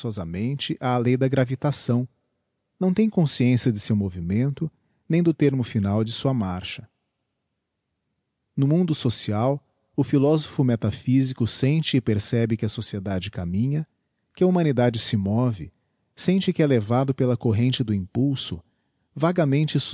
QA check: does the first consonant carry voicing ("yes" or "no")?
yes